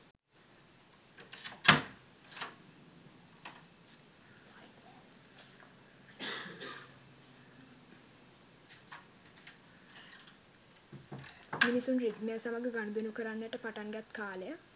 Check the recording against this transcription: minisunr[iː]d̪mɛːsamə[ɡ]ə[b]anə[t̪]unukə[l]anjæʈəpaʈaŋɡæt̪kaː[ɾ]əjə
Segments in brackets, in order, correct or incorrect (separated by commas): incorrect, correct, incorrect, incorrect, incorrect, incorrect